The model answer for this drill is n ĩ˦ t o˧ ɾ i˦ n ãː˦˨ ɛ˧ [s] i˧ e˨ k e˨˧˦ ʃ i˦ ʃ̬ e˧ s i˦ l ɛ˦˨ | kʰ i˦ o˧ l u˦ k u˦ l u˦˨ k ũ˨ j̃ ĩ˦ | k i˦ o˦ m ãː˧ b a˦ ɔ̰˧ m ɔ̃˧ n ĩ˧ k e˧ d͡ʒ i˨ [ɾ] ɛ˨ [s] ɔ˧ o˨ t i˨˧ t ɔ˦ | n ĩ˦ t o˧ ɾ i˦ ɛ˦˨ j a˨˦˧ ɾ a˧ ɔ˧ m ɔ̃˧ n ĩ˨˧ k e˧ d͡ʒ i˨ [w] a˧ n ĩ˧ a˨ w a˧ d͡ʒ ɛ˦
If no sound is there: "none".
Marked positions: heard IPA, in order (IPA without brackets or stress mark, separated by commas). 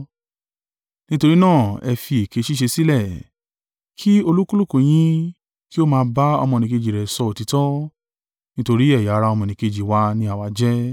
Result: f, ɾ, s, w